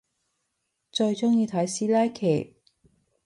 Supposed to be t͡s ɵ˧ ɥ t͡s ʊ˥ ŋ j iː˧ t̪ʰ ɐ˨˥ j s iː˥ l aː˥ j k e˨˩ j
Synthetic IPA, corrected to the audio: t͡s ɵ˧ ɥ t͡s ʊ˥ ŋ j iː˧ t̪ʰ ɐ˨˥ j s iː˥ l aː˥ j kʰ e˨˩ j